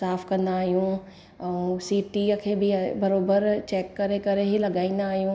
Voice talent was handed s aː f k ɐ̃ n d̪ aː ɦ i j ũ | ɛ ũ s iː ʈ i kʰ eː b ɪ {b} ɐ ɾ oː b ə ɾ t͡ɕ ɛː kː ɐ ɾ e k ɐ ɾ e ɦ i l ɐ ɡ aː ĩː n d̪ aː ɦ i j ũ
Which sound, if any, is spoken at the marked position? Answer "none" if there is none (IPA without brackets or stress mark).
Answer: b